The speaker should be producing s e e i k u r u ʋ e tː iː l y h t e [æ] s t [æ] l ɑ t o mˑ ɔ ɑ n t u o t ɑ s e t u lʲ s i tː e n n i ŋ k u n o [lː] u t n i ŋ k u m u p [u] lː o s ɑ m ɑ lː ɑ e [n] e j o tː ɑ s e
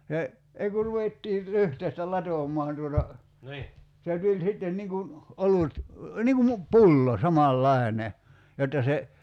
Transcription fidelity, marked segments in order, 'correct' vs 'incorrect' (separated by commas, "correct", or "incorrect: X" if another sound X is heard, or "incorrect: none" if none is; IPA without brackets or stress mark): incorrect: i, correct, incorrect: l, correct, correct